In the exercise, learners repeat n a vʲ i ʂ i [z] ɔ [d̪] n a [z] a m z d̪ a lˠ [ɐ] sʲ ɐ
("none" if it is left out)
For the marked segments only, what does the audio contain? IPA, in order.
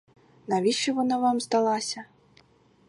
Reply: v, none, v, a

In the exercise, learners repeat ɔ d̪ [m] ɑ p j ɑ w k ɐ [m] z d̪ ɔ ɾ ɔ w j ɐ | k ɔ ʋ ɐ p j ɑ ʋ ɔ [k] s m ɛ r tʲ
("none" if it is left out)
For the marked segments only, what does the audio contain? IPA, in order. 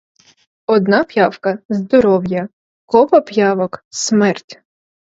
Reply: n, none, k

